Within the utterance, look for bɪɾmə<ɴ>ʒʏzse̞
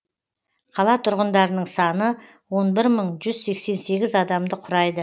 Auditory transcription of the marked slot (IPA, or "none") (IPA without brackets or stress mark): ɴ